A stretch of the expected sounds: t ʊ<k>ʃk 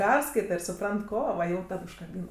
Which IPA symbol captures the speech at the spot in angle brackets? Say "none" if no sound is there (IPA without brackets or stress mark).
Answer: none